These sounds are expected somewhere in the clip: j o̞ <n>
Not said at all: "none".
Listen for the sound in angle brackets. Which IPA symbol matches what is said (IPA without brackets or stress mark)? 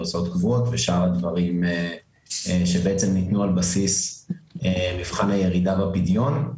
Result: n